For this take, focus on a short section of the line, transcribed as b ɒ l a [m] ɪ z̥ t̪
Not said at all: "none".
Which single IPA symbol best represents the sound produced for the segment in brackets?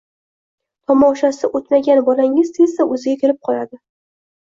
ŋ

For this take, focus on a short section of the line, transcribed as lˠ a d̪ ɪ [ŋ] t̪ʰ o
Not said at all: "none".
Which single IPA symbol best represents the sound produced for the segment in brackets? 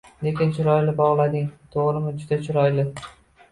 ŋ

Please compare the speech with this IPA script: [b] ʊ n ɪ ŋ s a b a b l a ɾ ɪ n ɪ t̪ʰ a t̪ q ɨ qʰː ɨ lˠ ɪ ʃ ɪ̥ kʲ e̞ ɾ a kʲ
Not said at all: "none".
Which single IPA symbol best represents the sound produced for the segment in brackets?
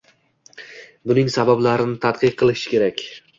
b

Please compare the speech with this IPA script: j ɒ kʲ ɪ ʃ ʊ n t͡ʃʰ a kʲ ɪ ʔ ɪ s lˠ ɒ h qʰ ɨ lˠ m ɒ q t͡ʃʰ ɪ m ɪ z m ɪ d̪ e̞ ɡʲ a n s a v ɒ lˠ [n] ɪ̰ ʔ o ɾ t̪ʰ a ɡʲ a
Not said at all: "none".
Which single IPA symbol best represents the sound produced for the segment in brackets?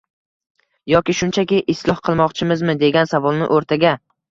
n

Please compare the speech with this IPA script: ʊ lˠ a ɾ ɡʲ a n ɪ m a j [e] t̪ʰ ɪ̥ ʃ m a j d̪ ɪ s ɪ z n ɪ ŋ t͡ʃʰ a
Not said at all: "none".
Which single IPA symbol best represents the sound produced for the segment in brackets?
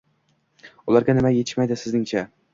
e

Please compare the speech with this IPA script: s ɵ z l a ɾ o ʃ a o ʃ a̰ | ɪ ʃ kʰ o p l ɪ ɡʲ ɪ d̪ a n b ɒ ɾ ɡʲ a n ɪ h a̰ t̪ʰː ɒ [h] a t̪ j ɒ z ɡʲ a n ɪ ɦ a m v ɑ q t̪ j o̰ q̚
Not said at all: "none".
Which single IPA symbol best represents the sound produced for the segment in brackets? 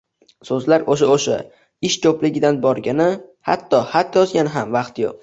h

